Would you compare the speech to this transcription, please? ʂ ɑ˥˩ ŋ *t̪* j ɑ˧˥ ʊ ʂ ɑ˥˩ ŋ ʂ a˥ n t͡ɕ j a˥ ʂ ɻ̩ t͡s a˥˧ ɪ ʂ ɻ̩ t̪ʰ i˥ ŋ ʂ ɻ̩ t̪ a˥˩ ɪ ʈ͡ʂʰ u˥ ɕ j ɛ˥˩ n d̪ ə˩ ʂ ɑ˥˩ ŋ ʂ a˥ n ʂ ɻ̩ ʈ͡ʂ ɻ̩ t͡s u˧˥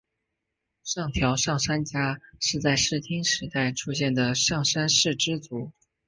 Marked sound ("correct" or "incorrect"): incorrect